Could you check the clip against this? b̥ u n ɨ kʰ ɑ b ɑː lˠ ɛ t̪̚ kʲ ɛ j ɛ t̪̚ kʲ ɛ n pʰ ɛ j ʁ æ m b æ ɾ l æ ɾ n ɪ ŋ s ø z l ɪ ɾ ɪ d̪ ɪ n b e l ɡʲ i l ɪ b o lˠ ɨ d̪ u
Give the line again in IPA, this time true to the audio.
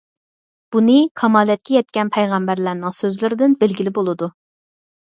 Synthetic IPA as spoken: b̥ u n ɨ kʰ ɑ m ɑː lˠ ɛ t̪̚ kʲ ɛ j ɛ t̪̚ kʲ ɛ n pʰ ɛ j ʁ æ m b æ ɾ l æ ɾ n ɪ ŋ s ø z l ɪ ɾ ɪ d̪ ɪ n b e l ɡʲ i l ɪ b o lˠ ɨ d̪ u